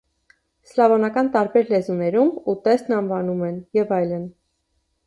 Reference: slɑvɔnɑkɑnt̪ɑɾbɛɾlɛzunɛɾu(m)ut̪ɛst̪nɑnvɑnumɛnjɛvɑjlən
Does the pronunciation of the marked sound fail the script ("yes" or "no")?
no